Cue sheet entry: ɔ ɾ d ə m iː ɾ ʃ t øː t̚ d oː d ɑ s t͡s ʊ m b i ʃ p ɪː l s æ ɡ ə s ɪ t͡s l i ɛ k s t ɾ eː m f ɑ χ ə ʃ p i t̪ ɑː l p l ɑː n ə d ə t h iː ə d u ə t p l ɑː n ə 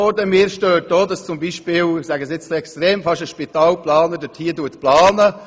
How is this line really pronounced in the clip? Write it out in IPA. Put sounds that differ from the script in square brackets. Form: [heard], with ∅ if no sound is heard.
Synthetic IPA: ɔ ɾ d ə m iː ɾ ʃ t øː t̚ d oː d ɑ s t͡s ʊ m b i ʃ p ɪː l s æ ɡ ə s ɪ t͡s l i ɛ k s t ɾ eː m f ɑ [ʃ] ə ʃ p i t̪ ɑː l p l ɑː n ə d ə t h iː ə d u ə t p l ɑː n ə